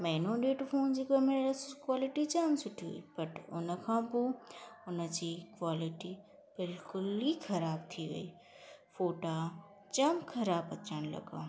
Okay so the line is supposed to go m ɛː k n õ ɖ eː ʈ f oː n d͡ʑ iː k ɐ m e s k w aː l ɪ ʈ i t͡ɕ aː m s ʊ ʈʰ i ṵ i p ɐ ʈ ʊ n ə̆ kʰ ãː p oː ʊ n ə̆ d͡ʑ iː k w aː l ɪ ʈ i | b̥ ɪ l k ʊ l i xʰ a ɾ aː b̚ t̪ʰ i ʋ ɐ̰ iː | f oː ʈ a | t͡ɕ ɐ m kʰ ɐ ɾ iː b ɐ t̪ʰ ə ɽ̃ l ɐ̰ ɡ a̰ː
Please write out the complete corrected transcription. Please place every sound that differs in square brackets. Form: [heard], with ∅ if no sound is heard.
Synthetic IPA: m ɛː [∅] n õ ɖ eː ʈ f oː n d͡ʑ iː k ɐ m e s k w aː l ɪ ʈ i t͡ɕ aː m s ʊ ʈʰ i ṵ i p ɐ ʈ ʊ n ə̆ kʰ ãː p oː ʊ n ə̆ d͡ʑ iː k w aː l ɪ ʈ i | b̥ ɪ l k ʊ l i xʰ [ɐ] ɾ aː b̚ t̪ʰ i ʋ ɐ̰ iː | f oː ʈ a | t͡ɕ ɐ m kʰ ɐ ɾ [aː] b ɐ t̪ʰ ə ɽ̃ l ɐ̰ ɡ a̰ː

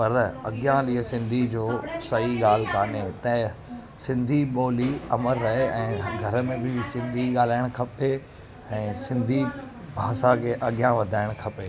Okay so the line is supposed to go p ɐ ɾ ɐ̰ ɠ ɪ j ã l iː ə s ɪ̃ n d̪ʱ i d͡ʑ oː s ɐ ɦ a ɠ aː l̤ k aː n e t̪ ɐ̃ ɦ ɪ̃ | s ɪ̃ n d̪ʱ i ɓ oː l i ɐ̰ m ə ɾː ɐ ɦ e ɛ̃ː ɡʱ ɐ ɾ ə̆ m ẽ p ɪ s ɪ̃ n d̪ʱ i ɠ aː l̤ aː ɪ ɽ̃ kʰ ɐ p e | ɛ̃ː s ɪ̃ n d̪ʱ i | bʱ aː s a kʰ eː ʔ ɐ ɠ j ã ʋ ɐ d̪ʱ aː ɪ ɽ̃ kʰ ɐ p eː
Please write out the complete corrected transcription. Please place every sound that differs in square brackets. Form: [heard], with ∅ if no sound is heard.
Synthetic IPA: p ɐ ɾ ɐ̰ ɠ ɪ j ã l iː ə s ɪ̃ n d̪ʱ i d͡ʑ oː s ɐ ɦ [i] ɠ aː l̤ k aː n e t̪ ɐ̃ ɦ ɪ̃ | s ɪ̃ n d̪ʱ i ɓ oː l i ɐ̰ m ə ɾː ɐ ɦ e ɛ̃ː ɡʱ ɐ ɾ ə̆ m ẽ [b] ɪ s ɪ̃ n d̪ʱ i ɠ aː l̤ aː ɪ ɽ̃ kʰ ɐ p e | ɛ̃ː s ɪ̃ n d̪ʱ i | bʱ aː s a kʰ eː ʔ ɐ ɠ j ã ʋ ɐ d̪ʱ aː ɪ ɽ̃ kʰ ɐ p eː

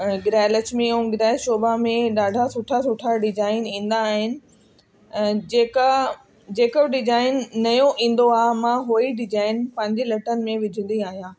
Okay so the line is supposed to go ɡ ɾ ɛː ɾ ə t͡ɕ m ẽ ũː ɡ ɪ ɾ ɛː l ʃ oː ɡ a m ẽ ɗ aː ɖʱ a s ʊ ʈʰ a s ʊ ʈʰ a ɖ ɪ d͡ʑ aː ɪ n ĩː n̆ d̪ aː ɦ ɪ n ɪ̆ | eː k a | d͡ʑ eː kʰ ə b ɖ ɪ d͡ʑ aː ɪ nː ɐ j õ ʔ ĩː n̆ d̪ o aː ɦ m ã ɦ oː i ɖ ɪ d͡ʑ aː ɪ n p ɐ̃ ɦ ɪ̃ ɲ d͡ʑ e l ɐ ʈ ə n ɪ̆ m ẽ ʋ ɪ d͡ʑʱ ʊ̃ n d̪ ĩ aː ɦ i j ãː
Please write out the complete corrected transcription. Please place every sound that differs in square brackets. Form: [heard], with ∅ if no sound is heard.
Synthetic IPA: ɡ ɾ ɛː [l] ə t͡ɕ m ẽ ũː ɡ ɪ ɾ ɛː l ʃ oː [b] a m ẽ ɗ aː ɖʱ a s ʊ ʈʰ a s ʊ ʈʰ a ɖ ɪ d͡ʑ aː ɪ n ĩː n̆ d̪ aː ɦ ɪ n ɪ̆ | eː k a | d͡ʑ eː [k] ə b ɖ ɪ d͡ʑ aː ɪ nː ɐ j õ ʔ ĩː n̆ d̪ o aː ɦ m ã ɦ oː i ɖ ɪ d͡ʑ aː ɪ n p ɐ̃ ɦ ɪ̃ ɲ d͡ʑ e l ɐ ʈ ə n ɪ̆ m ẽ ʋ ɪ d͡ʑʱ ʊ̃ n d̪ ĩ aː ɦ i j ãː

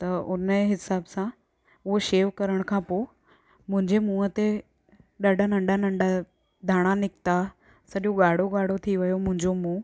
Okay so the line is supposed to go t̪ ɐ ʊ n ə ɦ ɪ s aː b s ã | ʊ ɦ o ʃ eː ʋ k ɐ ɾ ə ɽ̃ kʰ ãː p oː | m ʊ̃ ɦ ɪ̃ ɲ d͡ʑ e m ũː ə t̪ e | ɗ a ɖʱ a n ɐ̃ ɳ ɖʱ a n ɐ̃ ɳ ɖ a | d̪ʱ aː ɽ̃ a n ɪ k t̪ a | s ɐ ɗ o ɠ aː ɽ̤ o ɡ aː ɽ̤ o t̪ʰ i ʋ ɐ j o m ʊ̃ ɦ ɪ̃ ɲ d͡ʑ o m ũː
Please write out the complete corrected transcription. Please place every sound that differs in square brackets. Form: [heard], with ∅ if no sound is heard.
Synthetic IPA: t̪ ɐ ʊ n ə ɦ ɪ s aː b s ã | ʊ ɦ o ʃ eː ʋ k ɐ ɾ ə ɽ̃ kʰ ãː p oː | m ʊ̃ ɦ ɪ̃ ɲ d͡ʑ e m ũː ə t̪ e | ɗ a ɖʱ a n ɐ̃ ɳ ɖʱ a n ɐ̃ ɳ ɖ a | d̪ʱ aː ɽ̃ a n ɪ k t̪ a | s ɐ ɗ o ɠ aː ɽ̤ o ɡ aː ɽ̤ o t̪ʰ i ʋ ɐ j o m ʊ̃ ɦ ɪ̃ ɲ d͡ʑ o m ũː

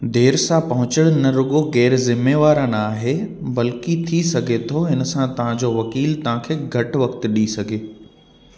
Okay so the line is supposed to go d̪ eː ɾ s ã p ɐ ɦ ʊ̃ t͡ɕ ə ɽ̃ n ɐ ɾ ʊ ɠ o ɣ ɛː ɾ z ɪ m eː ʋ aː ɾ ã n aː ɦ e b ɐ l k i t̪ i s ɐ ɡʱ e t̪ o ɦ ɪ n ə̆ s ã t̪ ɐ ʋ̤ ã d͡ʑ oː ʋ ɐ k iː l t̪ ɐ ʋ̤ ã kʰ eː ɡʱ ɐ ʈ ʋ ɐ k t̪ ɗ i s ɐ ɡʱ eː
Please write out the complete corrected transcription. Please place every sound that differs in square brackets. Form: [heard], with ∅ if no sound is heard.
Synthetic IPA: d̪ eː ɾ s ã p ɐ ɦ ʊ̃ t͡ɕ ə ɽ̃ n ɐ ɾ ʊ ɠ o ɣ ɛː ɾ z ɪ m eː ʋ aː ɾ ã n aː ɦ e b ɐ l k i [t̪ʰ] i s ɐ ɡʱ e [t̪ʰ] o ɦ ɪ n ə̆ s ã t̪ ɐ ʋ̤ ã d͡ʑ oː ʋ ɐ k iː l t̪ ɐ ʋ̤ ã kʰ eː ɡʱ ɐ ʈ ʋ ɐ k t̪ ɗ i s ɐ ɡʱ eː

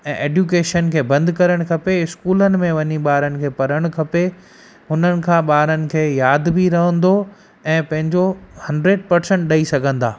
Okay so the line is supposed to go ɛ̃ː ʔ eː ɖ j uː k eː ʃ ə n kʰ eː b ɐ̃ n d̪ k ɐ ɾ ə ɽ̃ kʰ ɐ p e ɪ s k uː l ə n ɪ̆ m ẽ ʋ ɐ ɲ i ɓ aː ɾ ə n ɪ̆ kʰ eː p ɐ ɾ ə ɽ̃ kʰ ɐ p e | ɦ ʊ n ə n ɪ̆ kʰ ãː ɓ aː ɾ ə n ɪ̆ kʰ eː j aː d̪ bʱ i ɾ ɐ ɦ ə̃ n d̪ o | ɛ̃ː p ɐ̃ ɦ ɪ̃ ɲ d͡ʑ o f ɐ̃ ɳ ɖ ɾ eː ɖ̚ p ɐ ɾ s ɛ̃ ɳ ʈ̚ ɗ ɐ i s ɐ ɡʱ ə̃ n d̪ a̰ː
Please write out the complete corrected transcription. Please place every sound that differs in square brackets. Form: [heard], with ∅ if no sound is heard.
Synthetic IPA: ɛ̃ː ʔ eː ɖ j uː k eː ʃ ə n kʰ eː b ɐ̃ n d̪ k ɐ ɾ ə ɽ̃ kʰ ɐ p e ɪ s k uː l ə n ɪ̆ m ẽ ʋ ɐ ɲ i ɓ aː ɾ ə n ɪ̆ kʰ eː p ɐ ɾ ə ɽ̃ kʰ ɐ p e | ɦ ʊ n ə n ɪ̆ kʰ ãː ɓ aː ɾ ə n ɪ̆ kʰ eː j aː d̪ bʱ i ɾ ɐ ɦ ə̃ n d̪ o | ɛ̃ː p ɐ̃ ɦ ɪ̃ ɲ d͡ʑ o [h] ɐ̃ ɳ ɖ ɾ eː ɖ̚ p ɐ ɾ s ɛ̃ ɳ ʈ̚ ɗ ɐ i s ɐ ɡʱ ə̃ n d̪ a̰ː

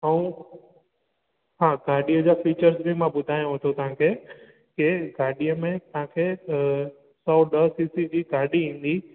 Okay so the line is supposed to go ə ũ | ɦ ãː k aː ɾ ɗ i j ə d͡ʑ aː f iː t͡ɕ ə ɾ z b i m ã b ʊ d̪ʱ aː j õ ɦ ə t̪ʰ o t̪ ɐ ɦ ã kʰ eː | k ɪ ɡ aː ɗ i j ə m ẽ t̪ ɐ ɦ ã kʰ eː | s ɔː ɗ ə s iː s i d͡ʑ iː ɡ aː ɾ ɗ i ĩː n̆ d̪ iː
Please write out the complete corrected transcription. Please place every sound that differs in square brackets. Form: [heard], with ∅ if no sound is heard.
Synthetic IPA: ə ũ | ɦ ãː [ɡ] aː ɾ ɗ i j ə d͡ʑ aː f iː t͡ɕ ə ɾ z b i m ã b ʊ d̪ʱ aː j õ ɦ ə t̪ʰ o t̪ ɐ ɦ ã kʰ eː | k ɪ ɡ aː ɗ i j ə m ẽ t̪ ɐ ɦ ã kʰ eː | s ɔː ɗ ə s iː s i d͡ʑ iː ɡ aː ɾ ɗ i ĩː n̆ d̪ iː

